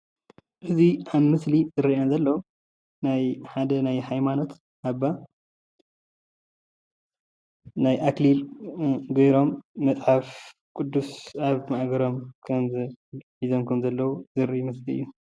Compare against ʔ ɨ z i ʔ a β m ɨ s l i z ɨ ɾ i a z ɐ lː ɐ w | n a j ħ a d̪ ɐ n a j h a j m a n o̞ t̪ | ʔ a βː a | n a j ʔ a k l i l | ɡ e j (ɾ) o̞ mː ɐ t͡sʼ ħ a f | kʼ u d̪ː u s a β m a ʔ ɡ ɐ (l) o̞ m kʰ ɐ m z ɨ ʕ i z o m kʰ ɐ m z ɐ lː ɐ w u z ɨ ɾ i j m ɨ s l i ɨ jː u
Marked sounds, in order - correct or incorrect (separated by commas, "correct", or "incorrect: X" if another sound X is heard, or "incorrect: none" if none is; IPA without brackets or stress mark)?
correct, incorrect: ɾ